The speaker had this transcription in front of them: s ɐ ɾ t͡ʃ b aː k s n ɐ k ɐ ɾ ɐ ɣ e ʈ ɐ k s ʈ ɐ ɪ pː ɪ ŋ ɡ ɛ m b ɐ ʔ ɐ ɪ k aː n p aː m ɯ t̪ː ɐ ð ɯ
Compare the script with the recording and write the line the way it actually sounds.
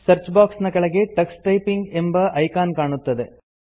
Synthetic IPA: s ɐ ɾ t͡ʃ b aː k s n ɐ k ɐ ɭ ɐ ɣ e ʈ ɐ k s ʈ ɐ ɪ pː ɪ ŋ ɡ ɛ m b ɐ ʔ ɐ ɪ k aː n k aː ɳ ɯ t̪ː ɐ ð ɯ